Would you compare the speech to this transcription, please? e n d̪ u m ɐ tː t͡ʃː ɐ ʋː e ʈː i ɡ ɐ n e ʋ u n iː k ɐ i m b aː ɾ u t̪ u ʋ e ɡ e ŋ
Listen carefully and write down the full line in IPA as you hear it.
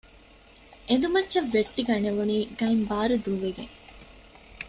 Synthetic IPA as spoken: e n d̪ u m ɐ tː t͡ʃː ɐ ʋː e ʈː i ɡ ɐ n e ʋ u n iː ɡ ɐ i m b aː ɾ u d̪ u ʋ e ɡ e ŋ